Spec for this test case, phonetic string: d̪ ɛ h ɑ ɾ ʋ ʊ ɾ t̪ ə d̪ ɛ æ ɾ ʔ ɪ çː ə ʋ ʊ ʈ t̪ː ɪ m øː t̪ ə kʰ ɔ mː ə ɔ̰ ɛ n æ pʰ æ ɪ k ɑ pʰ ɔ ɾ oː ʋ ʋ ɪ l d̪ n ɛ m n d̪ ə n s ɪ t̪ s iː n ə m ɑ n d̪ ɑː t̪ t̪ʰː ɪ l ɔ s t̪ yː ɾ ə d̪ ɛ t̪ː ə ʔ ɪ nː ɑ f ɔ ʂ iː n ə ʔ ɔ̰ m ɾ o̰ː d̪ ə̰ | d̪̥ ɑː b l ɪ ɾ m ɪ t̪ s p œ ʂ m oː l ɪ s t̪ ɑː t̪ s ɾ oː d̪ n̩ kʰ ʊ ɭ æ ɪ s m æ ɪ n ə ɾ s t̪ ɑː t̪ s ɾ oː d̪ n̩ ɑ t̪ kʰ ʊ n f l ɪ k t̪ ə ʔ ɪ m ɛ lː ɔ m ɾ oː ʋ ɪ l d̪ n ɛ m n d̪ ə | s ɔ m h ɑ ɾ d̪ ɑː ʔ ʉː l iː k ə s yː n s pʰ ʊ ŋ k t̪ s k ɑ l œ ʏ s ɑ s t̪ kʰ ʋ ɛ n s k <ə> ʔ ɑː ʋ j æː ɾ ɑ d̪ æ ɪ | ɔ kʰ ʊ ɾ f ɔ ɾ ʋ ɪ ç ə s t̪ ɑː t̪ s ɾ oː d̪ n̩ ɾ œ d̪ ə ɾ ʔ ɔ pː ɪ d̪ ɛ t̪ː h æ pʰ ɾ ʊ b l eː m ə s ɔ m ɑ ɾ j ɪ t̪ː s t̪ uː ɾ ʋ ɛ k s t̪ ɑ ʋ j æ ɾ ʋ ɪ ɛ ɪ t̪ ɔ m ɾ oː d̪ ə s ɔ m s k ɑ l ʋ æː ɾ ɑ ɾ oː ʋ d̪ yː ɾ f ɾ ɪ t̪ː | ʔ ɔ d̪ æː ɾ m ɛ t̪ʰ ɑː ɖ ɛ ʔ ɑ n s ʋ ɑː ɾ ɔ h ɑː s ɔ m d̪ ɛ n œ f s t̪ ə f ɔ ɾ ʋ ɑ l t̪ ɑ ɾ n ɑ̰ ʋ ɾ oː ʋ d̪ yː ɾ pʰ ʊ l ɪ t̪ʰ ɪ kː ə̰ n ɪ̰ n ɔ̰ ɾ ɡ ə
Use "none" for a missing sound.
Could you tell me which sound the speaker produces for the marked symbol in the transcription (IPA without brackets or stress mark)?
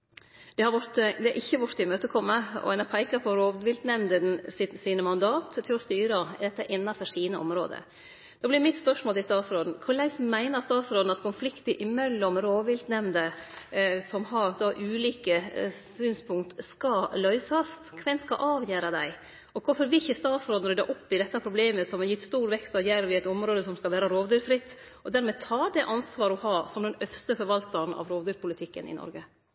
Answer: ɑ